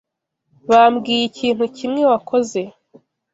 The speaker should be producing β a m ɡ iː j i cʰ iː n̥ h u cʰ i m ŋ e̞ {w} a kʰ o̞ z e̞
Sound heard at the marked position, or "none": w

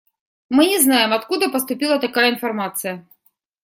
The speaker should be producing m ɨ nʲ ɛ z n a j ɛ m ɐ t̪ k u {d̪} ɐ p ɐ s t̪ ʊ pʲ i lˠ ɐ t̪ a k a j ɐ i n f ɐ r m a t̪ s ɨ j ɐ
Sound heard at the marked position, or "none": d̪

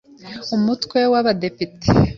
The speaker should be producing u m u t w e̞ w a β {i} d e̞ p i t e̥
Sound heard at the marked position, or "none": a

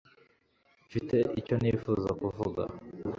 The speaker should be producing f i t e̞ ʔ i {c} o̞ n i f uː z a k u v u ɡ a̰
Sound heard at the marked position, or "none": c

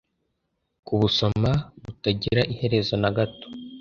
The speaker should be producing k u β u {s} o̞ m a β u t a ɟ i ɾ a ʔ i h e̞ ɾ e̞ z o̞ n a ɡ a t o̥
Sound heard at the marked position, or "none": s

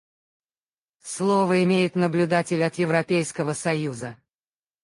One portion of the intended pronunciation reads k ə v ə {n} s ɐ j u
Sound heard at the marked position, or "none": none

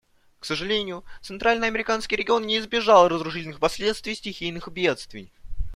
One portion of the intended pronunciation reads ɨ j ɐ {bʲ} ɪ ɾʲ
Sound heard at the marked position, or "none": mʲ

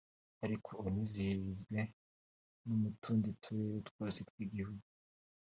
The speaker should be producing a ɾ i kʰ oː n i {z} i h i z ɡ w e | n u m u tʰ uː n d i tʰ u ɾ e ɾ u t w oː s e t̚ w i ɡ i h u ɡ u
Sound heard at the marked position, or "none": z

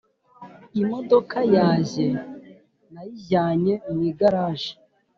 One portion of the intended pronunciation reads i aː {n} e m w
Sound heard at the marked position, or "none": ɲ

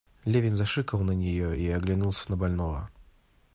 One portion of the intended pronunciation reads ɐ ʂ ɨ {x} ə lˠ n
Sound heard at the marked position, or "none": k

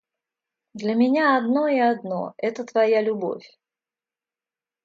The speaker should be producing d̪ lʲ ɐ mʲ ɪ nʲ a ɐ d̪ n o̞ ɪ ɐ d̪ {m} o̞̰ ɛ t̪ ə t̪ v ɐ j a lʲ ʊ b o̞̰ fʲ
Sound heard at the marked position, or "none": n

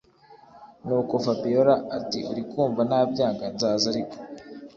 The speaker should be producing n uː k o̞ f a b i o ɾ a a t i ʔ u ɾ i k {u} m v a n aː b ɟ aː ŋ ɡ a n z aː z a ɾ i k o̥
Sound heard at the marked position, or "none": uː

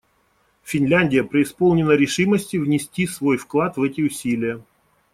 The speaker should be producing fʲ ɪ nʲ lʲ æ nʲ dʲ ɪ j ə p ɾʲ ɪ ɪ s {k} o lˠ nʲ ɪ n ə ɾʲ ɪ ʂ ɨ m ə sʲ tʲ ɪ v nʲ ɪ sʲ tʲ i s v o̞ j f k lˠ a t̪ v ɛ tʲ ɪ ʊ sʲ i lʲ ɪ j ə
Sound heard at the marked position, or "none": p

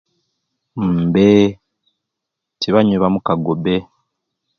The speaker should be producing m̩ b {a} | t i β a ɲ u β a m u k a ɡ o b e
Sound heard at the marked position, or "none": e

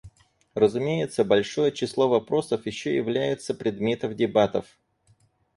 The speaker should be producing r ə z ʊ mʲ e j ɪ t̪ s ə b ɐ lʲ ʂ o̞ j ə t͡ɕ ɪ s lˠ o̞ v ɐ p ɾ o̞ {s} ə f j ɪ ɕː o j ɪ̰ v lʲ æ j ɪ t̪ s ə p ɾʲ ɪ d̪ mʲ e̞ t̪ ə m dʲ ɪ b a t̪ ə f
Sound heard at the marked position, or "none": s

